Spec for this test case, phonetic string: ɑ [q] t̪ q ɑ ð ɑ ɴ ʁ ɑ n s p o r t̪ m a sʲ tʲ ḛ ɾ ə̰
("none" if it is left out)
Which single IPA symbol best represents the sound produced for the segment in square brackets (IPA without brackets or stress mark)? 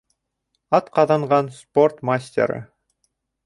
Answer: none